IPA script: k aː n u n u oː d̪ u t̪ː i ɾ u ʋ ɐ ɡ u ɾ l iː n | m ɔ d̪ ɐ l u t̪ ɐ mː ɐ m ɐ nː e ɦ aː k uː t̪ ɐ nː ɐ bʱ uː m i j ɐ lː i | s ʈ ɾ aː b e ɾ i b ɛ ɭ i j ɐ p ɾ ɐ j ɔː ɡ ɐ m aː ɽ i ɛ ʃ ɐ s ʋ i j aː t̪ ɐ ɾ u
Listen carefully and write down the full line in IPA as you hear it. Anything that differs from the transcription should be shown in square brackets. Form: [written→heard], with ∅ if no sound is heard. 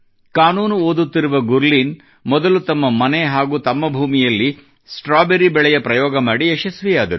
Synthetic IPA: k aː n [u→uː] n u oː d̪ u t̪ː i ɾ u ʋ ɐ ɡ u ɾ l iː n | m ɔ d̪ ɐ l u t̪ ɐ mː ɐ m ɐ [nː→n] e ɦ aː [k→ɡ] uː t̪ ɐ [nː→mː] ɐ bʱ uː m i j ɐ lː i | s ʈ ɾ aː b e ɾ i b ɛ ɭ [i→ɛ] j ɐ p ɾ ɐ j ɔː ɡ ɐ m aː ɽ i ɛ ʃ ɐ s ʋ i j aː [t̪→d̪] ɐ ɾ u

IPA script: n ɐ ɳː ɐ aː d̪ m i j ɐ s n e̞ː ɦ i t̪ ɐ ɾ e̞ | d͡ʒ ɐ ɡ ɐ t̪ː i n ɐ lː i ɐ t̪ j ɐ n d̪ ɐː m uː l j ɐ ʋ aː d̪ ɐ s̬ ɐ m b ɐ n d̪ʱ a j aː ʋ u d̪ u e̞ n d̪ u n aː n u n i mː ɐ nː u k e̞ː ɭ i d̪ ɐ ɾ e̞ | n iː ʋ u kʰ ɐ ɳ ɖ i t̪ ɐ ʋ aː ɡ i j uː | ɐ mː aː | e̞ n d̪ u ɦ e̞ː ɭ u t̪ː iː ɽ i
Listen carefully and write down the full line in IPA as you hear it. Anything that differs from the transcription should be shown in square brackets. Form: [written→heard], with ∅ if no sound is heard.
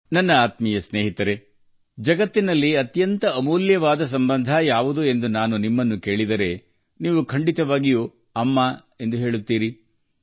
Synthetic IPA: n ɐ [ɳː→nː] ɐ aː [d̪→t̪] m i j ɐ s n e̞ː ɦ i t̪ ɐ ɾ e̞ | d͡ʒ ɐ ɡ ɐ t̪ː i n ɐ lː i ɐ t̪ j ɐ n [d̪→t̪] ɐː m uː l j ɐ ʋ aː d̪ ɐ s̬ ɐ m b ɐ n d̪ʱ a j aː ʋ u d̪ u e̞ n d̪ u n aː n u n i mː ɐ nː u k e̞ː ɭ i d̪ ɐ ɾ e̞ | n iː ʋ u kʰ ɐ ɳ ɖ i t̪ ɐ ʋ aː ɡ i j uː | ɐ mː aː | e̞ n d̪ u ɦ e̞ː ɭ u t̪ː iː [ɽ→ɾ] i

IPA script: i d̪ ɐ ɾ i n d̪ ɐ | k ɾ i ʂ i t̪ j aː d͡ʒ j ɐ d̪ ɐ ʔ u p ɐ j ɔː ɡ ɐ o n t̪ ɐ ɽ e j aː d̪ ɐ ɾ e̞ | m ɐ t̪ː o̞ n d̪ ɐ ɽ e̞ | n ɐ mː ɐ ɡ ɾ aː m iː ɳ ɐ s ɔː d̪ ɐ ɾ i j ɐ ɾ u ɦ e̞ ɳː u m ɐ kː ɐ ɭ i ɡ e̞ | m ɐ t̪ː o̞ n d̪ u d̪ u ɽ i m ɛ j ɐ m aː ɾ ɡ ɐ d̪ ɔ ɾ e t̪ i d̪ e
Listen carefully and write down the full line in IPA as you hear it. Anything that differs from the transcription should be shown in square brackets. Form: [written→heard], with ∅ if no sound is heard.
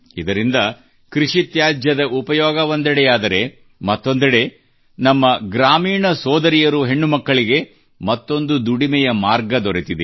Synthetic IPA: i d̪ ɐ ɾ i n d̪ ɐ | k ɾ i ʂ i t̪ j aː d͡ʒ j ɐ d̪ ɐ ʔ u p ɐ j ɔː ɡ ɐ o n [t̪→d̪] ɐ ɽ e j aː d̪ ɐ ɾ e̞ | m ɐ t̪ː o̞ n d̪ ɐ ɽ e̞ | n ɐ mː ɐ ɡ ɾ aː m iː ɳ ɐ s ɔː d̪ ɐ ɾ i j ɐ ɾ u ɦ e̞ ɳː u m ɐ kː ɐ ɭ i ɡ e̞ | m ɐ t̪ː o̞ n d̪ u d̪ u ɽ i m ɛ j ɐ m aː ɾ ɡ ɐ d̪ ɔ ɾ e t̪ i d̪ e

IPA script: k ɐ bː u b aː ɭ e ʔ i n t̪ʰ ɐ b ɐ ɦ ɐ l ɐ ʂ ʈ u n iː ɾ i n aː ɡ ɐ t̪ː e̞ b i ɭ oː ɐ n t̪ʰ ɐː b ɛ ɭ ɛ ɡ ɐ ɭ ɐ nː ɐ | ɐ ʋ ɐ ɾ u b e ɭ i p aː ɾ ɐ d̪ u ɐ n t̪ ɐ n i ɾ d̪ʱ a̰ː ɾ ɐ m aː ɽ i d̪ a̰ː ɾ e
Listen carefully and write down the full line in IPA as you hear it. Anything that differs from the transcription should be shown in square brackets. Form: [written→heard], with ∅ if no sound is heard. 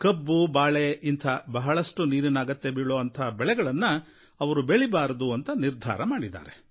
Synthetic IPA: k ɐ bː u b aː ɭ e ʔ i n t̪ʰ ɐ b ɐ ɦ ɐ [l→ɭ] ɐ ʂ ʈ u n iː ɾ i n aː ɡ ɐ t̪ː e̞ b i ɭ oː ɐ n t̪ʰ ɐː b ɛ ɭ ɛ ɡ ɐ ɭ ɐ nː ɐ | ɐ ʋ ɐ ɾ u b e ɭ i [p→b] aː ɾ ɐ d̪ u ɐ n t̪ ɐ n i ɾ d̪ʱ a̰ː ɾ ɐ m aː ɽ i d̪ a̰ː ɾ e

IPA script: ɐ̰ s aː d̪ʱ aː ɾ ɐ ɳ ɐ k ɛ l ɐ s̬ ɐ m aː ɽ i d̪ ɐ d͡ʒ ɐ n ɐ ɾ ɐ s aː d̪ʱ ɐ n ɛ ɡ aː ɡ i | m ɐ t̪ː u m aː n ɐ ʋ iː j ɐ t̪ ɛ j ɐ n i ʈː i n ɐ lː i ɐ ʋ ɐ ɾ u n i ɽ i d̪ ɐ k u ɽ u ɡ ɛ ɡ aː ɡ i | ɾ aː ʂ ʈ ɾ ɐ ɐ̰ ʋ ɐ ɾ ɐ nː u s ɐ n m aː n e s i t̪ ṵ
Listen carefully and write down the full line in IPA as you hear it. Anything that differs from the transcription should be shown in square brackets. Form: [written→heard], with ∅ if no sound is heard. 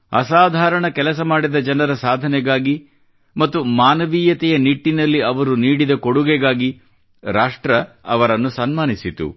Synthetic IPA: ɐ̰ s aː d̪ʱ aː ɾ ɐ ɳ ɐ k ɛ l ɐ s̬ ɐ m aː ɽ i d̪ ɐ d͡ʒ ɐ n ɐ ɾ ɐ s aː d̪ʱ ɐ n ɛ ɡ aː ɡ i | m ɐ t̪ː u m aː n ɐ ʋ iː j ɐ t̪ ɛ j ɐ n i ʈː i n ɐ lː i ɐ ʋ ɐ ɾ u n [i→iː] ɽ i d̪ ɐ k [u→o] ɽ u ɡ ɛ ɡ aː ɡ i | ɾ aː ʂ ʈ ɾ ɐ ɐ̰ ʋ ɐ ɾ ɐ nː u s ɐ n m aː n [e→i] s i t̪ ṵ

